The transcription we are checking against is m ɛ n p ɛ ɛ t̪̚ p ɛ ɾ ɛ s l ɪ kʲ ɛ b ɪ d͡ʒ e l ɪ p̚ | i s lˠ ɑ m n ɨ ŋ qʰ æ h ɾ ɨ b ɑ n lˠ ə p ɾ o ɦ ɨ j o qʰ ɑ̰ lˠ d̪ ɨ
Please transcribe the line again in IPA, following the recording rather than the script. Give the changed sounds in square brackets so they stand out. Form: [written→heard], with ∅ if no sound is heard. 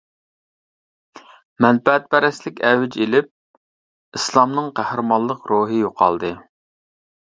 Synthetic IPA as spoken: m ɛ n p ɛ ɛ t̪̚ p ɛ ɾ ɛ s l ɪ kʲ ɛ [b→w] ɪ d͡ʒ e l ɪ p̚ | i s lˠ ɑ m n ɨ ŋ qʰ æ h ɾ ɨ [b→m] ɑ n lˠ ə [p→q] ɾ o ɦ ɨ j o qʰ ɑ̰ lˠ d̪ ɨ